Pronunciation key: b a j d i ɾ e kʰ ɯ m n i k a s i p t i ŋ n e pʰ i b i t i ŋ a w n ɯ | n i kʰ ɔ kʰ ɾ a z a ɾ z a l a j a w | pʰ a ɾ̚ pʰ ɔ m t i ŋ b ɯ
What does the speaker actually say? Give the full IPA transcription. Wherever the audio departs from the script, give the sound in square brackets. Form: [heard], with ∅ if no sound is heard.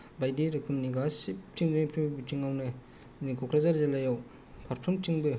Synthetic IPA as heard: b a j d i ɾ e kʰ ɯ m n i [ɡ] a s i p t i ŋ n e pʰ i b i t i ŋ a w n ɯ | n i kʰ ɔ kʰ ɾ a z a ɾ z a l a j a w | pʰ a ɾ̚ pʰ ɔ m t i ŋ b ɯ